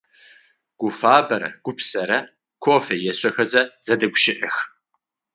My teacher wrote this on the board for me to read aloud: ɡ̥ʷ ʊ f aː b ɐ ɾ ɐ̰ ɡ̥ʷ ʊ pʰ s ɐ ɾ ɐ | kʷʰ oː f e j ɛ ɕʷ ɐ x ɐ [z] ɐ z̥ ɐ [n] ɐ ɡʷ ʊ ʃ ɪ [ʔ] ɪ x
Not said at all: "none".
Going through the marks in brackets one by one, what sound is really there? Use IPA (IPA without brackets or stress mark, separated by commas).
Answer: z, d, ʔ